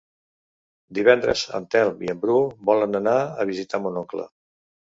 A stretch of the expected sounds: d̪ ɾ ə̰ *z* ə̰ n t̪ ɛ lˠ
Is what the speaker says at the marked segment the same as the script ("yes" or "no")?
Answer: yes